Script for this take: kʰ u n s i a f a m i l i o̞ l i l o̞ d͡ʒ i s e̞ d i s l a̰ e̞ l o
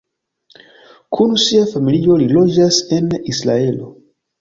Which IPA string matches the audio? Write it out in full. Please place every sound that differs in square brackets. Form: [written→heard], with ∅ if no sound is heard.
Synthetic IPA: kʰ u n s i a f a m i l i o̞ l i l o̞ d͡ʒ [i→a] s e̞ [d→n] i s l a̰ e̞ l o